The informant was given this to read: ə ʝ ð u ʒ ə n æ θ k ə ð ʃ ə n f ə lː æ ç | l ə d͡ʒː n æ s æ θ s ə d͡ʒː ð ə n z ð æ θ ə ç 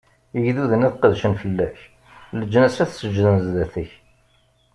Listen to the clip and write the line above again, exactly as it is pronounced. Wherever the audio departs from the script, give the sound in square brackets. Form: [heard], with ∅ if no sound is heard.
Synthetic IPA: ə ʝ ð u [ð] ə n æ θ [q] ə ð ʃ ə n f ə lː æ ç | l ə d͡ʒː n æ s æ θ s ə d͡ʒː ð ə n z ð æ θ ə ç

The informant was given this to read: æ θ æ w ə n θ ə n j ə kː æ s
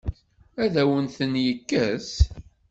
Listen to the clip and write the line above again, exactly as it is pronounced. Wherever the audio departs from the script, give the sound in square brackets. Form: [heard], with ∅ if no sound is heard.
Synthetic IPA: æ [ð] æ w ə n θ ə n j ə kː æ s

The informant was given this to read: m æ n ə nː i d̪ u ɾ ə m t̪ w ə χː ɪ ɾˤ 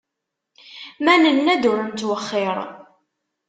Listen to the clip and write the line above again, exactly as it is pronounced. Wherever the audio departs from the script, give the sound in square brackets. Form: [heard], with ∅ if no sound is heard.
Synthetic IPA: m æ n ə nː [æ] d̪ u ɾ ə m t̪ w ə χː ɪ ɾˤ

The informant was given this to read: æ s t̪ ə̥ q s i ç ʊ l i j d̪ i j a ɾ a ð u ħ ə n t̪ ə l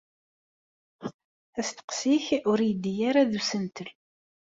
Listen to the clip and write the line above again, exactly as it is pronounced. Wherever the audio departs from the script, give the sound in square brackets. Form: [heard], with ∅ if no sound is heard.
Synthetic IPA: æ s t̪ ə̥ q s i ç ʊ [ɾ] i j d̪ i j a ɾ a ð u [s] ə n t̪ ə l

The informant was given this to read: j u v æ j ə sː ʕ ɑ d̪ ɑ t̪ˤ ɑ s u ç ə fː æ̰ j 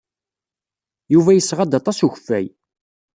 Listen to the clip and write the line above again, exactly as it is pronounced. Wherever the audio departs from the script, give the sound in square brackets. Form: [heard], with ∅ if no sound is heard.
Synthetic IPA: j u v æ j ə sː [ʁ] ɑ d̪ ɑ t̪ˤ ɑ s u ç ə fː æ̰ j

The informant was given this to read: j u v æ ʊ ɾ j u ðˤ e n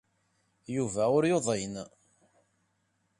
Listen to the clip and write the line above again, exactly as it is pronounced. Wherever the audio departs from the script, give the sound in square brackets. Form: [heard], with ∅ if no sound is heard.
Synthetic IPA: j u v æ ʊ ɾ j [o] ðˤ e n

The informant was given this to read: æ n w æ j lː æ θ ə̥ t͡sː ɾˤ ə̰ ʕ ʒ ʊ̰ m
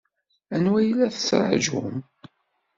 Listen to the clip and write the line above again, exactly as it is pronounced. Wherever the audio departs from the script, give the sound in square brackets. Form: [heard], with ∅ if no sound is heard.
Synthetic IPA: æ n w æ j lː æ θ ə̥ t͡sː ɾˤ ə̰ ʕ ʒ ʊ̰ m

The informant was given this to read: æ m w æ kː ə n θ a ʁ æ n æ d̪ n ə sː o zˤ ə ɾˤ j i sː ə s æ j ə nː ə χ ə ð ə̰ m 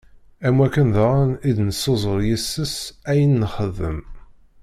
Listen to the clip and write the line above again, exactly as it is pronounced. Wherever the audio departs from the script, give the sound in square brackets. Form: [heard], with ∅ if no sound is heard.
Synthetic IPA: æ m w æ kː ə n [ð] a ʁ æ n [i] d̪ n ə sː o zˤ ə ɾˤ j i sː ə s æ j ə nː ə χ ə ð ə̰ m

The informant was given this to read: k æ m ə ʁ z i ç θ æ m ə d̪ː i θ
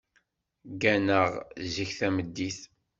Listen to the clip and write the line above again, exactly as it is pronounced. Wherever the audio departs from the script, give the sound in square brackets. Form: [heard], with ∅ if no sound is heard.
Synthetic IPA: [ɡ] æ [n] ə ʁ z i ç θ æ m ə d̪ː i θ

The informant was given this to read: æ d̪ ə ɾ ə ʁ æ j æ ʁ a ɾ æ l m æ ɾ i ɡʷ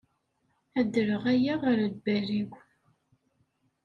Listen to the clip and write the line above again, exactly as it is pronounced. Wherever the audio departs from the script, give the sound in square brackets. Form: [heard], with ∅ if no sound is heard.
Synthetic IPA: æ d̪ ə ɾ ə ʁ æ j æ ʁ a ɾ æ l [b] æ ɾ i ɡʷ

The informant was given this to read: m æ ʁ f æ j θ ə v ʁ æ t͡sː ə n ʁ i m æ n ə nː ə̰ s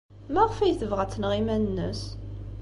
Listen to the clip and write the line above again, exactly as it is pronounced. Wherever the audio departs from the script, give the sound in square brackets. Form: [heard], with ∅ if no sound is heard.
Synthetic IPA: m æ ʁ f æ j θ ə v ʁ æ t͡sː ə n ʁ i m æ n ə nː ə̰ s

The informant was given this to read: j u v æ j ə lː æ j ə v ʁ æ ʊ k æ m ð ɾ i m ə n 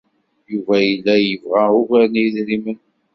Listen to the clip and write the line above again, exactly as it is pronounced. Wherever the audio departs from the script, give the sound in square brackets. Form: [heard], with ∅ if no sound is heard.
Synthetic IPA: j u v æ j ə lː æ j ə v ʁ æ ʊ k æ [n] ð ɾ i m ə n

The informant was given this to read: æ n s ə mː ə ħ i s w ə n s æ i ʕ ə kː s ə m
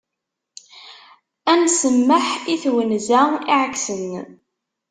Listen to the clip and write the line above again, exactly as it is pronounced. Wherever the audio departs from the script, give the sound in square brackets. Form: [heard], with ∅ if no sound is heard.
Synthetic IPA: æ n s ə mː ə ħ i [θ] w ə n [z] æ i ʕ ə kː s ə [n]

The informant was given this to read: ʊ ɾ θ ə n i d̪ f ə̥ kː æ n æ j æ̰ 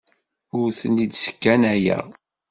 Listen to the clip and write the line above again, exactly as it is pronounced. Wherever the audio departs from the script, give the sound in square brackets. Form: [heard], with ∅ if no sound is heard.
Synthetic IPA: ʊ ɾ θ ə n i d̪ [s] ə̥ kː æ n æ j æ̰

